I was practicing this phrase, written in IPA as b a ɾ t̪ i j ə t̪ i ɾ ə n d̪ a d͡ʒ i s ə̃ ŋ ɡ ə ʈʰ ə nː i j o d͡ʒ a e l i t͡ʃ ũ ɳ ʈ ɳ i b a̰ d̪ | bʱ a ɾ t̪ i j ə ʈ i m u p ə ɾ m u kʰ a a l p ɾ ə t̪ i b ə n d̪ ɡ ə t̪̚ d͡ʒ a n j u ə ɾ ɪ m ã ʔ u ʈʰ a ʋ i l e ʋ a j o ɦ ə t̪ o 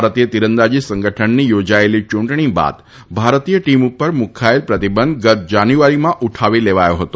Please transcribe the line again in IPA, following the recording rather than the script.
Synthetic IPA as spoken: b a ɾ t̪ i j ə t̪ i ɾ ə n d̪ a d͡ʒ i s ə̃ ŋ ɡ ə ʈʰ ə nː i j o d͡ʒ a e l i t͡ʃ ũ ɳ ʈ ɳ i b a̰ d̪ | bʱ a ɾ t̪ i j ə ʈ i m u p ə ɾ m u kʰ a e l p ɾ ə t̪ i b ə n d̪ ɡ ə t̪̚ d͡ʒ a n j u a ɾ i m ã ʔ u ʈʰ a ʋ i l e ʋ a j o ɦ ə t̪ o